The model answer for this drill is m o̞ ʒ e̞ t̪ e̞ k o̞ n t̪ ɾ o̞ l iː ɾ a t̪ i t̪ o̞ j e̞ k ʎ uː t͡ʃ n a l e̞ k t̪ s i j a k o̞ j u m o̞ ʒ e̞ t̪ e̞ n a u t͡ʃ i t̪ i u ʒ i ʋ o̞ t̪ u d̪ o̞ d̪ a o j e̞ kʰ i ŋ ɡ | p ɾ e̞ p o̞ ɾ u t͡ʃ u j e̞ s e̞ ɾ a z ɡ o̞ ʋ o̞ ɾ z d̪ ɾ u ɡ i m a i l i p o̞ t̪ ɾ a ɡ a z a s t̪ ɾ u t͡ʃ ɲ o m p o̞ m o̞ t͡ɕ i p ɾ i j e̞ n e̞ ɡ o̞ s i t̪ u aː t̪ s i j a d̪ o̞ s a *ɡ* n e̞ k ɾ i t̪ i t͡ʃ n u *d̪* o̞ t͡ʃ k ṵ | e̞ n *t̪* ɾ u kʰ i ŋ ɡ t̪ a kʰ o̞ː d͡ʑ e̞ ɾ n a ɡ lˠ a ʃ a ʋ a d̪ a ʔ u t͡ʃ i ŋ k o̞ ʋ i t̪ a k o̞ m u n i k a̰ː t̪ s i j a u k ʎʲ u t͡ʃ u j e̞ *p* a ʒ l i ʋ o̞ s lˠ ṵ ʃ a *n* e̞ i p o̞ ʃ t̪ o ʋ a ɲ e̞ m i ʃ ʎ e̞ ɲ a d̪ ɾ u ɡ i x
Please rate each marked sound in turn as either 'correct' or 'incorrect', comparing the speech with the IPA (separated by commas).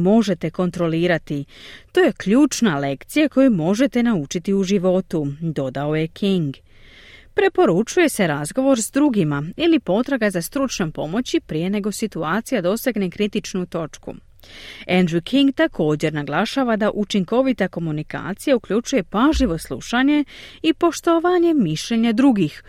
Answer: correct, incorrect, incorrect, correct, incorrect